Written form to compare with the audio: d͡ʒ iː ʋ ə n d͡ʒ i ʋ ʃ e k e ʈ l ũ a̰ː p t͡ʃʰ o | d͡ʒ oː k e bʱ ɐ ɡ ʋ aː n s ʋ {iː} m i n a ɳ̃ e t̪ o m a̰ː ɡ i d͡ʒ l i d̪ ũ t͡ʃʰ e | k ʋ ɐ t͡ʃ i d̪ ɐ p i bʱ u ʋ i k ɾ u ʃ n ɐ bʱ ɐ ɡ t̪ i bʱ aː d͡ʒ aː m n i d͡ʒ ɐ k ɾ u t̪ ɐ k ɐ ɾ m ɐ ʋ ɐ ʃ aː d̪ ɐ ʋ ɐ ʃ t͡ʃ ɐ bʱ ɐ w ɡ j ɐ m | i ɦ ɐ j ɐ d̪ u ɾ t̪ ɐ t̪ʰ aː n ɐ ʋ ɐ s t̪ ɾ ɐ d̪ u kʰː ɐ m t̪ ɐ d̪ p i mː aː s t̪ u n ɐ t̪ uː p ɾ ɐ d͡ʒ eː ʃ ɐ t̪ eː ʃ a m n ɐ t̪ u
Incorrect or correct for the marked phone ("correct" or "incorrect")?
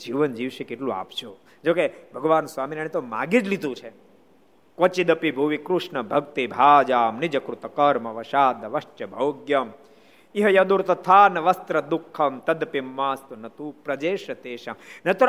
incorrect